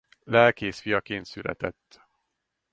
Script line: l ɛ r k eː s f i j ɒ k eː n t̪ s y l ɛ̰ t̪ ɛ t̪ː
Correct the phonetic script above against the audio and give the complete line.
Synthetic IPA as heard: l ɛ l k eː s f i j ɒ k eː n t̪ s y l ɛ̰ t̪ ɛ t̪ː